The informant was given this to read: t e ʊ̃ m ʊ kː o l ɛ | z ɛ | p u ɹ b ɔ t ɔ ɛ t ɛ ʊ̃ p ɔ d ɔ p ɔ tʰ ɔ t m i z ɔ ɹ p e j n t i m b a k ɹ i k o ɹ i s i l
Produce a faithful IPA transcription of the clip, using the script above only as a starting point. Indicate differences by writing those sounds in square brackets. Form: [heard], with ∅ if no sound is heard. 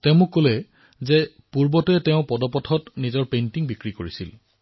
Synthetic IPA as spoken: t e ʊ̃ m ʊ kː o l ɛ | z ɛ | p u ɹ b ɔ t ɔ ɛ t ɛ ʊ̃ p ɔ d ɔ p ɔ tʰ ɔ t [n] i z ɔ ɹ p e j n t i [ŋ] b [i] k ɹ i k o ɹ i s i l